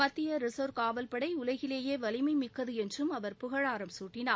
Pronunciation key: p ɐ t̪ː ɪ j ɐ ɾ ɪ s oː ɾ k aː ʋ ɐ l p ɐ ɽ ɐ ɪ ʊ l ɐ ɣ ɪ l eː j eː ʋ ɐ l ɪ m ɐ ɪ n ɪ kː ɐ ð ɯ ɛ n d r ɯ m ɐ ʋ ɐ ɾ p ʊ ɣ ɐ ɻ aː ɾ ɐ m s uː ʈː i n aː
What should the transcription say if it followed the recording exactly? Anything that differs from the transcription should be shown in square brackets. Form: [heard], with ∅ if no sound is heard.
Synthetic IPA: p ɐ t̪ː ɪ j ɐ ɾ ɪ s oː ɾ k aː ʋ ɐ l p ɐ ɽ ɐ ɪ ʊ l ɐ ɣ ɪ l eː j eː ʋ ɐ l ɪ m ɐ ɪ [m] ɪ kː ɐ ð ɯ ɛ n d r ɯ m ɐ ʋ ɐ ɾ p ʊ ɣ ɐ ɻ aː ɾ ɐ m s uː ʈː [ɪ] n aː